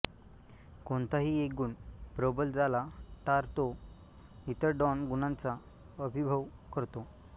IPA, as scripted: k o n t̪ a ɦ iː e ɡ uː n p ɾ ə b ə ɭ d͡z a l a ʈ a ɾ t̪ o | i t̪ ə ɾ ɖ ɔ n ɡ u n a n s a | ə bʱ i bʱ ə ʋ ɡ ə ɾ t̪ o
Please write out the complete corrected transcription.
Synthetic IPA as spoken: k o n t̪ a ɦ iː e ɡ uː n p ɾ ə b ə l d͡z a l a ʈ a ɾ t̪ o | i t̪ ə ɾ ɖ ɔ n ɡ u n a n t͡s a | ə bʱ i bʱ ə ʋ k ə ɾ t̪ o